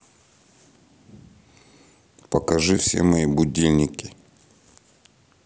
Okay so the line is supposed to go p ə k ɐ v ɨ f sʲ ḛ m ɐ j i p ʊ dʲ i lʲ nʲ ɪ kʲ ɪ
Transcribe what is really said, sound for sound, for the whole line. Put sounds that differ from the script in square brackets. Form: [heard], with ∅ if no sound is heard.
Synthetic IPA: p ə k ɐ [ʐ] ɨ f sʲ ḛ m ɐ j i [b] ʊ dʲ i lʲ nʲ ɪ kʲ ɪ

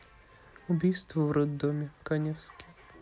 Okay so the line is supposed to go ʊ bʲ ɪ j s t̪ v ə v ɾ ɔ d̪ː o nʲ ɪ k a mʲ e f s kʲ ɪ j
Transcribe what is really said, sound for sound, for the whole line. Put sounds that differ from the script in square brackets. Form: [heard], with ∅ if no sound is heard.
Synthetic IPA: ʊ bʲ [i] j s t̪ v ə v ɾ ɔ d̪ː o [mʲ] ɪ k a [nʲ] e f s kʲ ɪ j

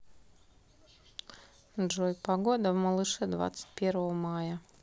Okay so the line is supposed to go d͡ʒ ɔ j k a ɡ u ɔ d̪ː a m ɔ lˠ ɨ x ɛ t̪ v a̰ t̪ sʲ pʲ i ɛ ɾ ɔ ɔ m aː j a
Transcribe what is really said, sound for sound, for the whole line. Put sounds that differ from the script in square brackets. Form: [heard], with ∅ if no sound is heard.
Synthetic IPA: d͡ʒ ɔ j [p] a ɡ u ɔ [d̪] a m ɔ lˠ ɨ [ʃ] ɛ [d̪] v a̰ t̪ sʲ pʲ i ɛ ɾ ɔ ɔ m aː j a

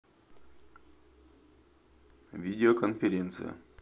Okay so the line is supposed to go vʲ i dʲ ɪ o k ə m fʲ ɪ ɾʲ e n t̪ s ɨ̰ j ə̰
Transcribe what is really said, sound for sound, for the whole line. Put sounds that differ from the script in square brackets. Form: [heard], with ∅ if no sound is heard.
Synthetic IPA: vʲ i dʲ ɪ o k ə [n] fʲ ɪ ɾʲ e n t̪ s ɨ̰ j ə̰

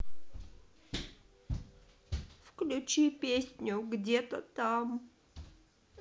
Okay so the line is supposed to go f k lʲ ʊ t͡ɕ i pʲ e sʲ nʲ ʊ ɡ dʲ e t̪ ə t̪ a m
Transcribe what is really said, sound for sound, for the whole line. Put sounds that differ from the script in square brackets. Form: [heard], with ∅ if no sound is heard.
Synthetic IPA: f k lʲ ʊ t͡ɕ i pʲ e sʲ nʲ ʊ ɡ dʲ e t̪ ə t̪ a m

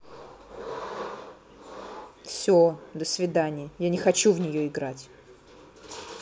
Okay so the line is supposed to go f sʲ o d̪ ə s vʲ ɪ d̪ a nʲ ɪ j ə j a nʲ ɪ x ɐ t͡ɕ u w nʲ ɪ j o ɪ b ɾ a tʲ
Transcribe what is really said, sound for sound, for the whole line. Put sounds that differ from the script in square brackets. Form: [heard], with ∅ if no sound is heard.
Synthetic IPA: f sʲ o d̪ ə s vʲ ɪ d̪ a nʲ ɪ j ə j a nʲ ɪ x ɐ t͡ɕ u [v] nʲ ɪ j o ɪ [ɡ] ɾ a tʲ

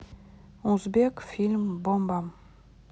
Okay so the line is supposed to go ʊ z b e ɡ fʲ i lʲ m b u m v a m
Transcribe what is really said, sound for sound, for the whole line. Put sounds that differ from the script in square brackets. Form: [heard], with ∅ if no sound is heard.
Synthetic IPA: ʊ z b e [k] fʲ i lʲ m b [o] m [b] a m

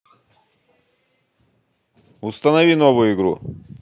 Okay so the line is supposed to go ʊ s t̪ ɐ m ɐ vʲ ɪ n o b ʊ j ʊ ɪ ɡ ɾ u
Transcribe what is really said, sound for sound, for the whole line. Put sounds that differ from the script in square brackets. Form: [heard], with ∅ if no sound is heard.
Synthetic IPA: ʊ s t̪ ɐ [n] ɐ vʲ [i] n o [v] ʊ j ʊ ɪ ɡ ɾ u

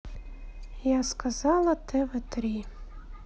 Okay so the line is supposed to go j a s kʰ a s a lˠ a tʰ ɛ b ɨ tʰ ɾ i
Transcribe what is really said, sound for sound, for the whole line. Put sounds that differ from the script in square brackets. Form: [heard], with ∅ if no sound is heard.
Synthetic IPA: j a s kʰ a [z] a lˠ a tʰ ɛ [v] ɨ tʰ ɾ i

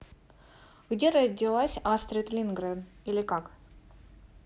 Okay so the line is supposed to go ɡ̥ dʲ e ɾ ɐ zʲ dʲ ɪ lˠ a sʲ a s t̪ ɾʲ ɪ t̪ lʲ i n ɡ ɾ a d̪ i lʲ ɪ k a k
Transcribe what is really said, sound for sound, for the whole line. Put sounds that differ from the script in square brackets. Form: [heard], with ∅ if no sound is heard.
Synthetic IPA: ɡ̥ dʲ e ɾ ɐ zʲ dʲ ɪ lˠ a sʲ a s t̪ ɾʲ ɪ t̪ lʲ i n ɡ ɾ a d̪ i lʲ ɪ k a k

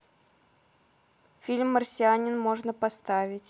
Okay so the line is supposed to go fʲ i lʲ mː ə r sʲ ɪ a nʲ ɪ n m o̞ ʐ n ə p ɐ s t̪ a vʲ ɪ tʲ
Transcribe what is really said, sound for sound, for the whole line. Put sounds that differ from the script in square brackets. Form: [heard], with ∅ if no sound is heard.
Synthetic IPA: fʲ i lʲ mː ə r sʲ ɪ a nʲ ɪ n m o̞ ʐ n ə p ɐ s t̪ a vʲ ɪ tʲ

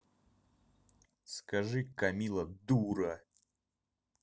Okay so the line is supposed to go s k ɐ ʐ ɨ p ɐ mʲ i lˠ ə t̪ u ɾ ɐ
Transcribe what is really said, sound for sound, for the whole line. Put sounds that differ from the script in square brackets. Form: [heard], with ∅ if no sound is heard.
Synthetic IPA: s k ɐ ʐ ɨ [k] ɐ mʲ i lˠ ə [d̪] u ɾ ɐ

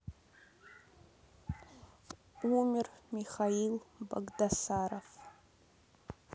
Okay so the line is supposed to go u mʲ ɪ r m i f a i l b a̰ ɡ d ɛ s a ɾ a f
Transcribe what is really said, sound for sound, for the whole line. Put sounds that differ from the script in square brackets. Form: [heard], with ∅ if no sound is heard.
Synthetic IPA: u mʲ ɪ r m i [χ] a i l b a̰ ɡ d [a] s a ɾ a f

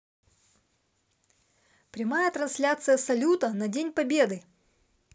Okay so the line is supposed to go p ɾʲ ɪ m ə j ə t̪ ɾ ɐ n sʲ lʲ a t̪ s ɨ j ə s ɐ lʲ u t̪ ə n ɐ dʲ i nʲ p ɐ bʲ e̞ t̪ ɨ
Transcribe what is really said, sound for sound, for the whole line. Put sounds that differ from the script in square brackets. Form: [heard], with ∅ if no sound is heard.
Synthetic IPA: p ɾʲ ɪ m [a] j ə t̪ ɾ ɐ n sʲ lʲ a t̪ s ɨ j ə s ɐ lʲ u t̪ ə n ɐ dʲ [e] nʲ p ɐ bʲ e̞ [d̪] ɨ

